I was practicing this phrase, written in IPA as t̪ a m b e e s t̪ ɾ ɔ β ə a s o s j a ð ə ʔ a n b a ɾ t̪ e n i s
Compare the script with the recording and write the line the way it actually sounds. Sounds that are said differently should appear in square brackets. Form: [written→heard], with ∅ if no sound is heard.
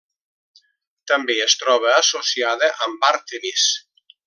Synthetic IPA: t̪ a m b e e s t̪ ɾ ɔ β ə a s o s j a ð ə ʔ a [n→m] b a ɾ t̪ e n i s